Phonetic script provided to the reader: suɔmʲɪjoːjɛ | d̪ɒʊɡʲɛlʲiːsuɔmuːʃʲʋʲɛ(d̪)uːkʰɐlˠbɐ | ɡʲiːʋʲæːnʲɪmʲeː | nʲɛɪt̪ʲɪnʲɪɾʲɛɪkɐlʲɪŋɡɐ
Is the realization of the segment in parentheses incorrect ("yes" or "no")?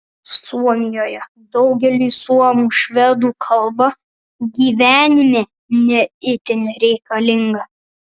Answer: no